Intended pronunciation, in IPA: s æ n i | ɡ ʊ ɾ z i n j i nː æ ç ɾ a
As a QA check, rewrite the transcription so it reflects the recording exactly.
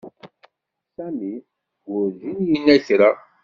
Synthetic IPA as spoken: s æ m i | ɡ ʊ ɾ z i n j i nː æ ç ɾ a